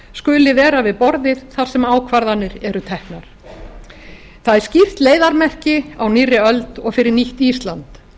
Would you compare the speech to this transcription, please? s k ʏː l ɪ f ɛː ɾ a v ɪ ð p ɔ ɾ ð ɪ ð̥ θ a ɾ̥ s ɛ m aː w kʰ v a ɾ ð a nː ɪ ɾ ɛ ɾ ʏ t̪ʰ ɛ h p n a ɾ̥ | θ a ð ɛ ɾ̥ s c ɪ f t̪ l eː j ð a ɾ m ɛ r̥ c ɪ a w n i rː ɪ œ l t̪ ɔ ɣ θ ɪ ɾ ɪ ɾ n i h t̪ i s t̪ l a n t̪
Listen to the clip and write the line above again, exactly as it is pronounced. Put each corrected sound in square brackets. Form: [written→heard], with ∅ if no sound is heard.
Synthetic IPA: s k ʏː l ɪ [f→v] ɛː ɾ a v ɪ ð p ɔ ɾ ð ɪ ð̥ θ a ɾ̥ s ɛ m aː w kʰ v a ɾ ð a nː ɪ ɾ ɛ ɾ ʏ t̪ʰ ɛ h [p→k] n a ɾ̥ | θ a ð ɛ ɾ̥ s c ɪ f t̪ l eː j ð a ɾ m ɛ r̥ c ɪ a w n i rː ɪ œ l t̪ ɔ ɣ [θ→f] ɪ ɾ ɪ ɾ n i h t̪ i s t̪ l a n t̪